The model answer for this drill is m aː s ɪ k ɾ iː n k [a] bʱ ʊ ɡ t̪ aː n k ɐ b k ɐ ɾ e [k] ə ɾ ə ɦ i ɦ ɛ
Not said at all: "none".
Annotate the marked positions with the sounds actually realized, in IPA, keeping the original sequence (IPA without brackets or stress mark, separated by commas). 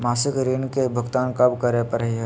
e, p